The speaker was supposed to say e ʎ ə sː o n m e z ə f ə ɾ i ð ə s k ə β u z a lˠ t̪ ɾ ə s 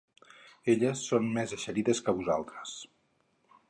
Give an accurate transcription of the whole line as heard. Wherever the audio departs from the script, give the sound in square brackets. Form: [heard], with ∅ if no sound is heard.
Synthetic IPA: e ʎ ə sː o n m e z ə [ʃ] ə ɾ i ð ə s k ə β u z a lˠ t̪ ɾ ə s